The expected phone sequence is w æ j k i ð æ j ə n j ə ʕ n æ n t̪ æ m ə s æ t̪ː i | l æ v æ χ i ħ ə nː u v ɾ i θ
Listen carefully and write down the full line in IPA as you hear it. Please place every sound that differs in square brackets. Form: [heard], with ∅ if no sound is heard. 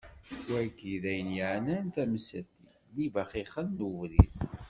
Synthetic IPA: w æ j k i ð æ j ə n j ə ʕ n æ n t̪ æ m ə s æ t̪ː i | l [i] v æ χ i [χ] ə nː u v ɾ i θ

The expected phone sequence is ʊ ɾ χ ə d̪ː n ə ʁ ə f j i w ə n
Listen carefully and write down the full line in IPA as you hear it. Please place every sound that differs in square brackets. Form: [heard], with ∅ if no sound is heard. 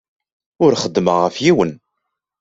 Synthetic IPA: ʊ ɾ χ ə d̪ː [m] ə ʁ ə f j i w ə n

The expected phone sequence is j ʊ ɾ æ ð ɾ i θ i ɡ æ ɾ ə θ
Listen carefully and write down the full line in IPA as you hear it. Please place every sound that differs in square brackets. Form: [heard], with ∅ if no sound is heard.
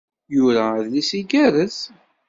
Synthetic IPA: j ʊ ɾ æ ð [l] i [s] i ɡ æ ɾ ə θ

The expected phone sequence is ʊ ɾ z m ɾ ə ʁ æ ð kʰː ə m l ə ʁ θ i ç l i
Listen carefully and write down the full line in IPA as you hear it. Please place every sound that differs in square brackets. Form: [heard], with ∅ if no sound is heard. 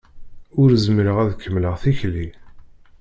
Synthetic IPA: ʊ ɾ z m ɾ ə ʁ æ ð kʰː ə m l ə ʁ θ i ç l i

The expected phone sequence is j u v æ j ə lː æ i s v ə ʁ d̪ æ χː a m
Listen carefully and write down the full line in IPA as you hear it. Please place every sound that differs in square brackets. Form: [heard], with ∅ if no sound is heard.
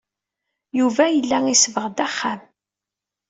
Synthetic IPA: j u v æ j ə lː æ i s v ə ʁ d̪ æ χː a m

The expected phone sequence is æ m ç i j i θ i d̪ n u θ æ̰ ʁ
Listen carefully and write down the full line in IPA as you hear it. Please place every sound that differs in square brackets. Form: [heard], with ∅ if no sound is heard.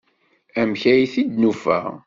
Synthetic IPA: æ m ç [æ] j i θ i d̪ n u [f] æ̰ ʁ

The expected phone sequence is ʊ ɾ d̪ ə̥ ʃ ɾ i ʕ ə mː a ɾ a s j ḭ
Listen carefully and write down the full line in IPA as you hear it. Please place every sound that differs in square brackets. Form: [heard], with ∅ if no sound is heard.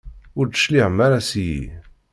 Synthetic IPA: ʊ ɾ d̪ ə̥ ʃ [l] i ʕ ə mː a ɾ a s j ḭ

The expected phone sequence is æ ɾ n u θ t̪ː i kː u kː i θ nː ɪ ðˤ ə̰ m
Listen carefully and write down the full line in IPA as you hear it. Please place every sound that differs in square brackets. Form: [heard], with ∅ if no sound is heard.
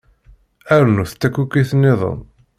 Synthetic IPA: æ ɾ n u θ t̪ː [æ] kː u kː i θ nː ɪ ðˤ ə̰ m

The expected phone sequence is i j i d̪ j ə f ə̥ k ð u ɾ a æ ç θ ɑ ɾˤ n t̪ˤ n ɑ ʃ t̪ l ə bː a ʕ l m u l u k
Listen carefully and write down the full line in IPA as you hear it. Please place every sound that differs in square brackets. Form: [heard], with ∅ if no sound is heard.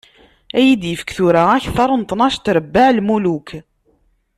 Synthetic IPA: [æ] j i d̪ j ə f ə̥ k [θ] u ɾ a æ ç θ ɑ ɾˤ n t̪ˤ n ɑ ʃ t̪ [ɾ] ə bː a ʕ l m u l u k

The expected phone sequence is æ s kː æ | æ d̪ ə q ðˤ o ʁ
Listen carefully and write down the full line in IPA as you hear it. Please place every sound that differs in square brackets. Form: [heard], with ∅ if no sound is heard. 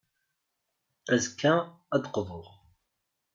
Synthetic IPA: æ [z] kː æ | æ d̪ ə q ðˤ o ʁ

